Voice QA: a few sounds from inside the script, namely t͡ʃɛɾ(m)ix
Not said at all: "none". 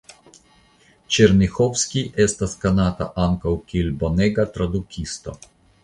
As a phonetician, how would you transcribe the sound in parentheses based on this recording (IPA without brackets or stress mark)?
n